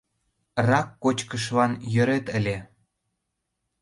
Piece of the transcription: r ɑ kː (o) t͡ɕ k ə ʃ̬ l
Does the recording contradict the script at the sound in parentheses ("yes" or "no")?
no